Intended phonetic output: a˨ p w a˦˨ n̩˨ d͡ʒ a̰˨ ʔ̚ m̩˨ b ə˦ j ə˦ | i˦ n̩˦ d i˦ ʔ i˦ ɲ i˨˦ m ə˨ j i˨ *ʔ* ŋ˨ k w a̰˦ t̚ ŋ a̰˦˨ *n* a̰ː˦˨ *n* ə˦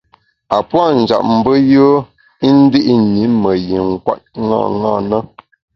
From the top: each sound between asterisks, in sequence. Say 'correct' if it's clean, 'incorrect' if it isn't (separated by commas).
incorrect, incorrect, correct